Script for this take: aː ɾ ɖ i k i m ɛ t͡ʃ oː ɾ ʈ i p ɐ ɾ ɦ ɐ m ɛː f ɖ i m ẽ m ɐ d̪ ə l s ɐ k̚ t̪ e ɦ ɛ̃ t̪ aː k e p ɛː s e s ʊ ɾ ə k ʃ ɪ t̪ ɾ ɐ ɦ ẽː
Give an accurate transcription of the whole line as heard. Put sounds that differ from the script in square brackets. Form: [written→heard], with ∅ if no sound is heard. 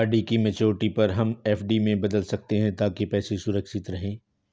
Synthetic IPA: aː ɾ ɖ i k i m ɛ t͡ʃ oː ɾ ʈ i p ɐ ɾ ɦ ɐ m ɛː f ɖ i m ẽ [m→b] ɐ d̪ ə l s ɐ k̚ t̪ e ɦ ɛ̃ t̪ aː k e p ɛː s e s ʊ ɾ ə k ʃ ɪ t̪ ɾ ɐ ɦ ẽː